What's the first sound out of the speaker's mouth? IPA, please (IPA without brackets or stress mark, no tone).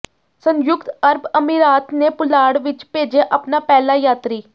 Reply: s